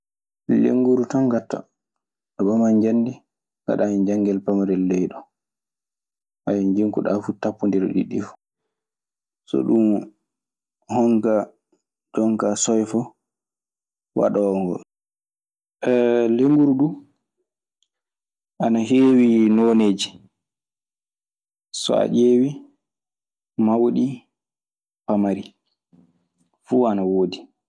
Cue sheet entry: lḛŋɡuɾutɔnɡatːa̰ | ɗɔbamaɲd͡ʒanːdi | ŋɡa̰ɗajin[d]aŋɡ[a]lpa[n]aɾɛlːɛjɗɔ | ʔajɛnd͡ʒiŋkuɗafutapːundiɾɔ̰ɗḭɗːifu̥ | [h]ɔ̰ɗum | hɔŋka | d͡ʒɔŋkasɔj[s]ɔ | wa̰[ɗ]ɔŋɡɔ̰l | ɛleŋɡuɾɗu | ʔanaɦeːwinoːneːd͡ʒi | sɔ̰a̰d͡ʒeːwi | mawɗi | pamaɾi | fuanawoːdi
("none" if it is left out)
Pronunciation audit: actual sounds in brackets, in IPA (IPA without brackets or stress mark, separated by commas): d͡ʒ, ɛ, m, s, f, ɗ